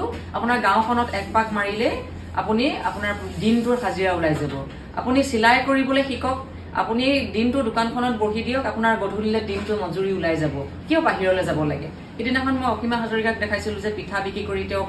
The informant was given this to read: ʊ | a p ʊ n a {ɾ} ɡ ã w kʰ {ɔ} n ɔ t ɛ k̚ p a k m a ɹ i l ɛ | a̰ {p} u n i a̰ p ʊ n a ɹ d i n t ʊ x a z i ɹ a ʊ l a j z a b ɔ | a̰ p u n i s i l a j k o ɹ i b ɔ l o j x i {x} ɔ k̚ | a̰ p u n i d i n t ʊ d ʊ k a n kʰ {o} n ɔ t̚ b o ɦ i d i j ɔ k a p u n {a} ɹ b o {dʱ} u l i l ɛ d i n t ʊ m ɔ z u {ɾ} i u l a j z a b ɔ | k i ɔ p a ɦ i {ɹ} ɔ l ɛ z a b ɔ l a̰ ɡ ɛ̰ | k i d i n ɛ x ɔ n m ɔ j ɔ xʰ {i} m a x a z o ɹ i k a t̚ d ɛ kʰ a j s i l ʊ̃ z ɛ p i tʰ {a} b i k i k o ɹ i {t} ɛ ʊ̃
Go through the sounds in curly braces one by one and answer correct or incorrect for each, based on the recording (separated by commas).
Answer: incorrect, correct, correct, incorrect, incorrect, correct, correct, incorrect, correct, correct, correct, correct